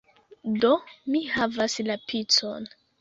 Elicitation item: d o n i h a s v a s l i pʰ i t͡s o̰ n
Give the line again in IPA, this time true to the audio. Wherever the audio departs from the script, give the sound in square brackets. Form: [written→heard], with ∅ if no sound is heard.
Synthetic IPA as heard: d o [n→m] i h a [s→∅] v a s l [i→a] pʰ i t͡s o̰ n